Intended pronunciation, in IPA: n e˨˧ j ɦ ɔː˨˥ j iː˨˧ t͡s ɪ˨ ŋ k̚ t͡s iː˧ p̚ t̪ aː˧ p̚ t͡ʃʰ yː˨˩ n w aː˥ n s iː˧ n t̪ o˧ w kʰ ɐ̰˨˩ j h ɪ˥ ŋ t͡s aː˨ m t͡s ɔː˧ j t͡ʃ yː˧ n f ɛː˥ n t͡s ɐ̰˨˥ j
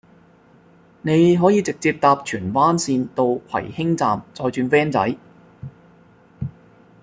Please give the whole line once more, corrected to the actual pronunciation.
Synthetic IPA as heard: n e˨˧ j ɦ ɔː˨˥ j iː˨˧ t͡s ɪ˨ k̚ t͡s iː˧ p̚ t̪ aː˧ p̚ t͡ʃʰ yː˨˩ n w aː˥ n s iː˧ n t̪ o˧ w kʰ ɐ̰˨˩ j h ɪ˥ ŋ t͡s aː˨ m t͡s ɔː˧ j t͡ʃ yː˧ n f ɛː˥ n t͡s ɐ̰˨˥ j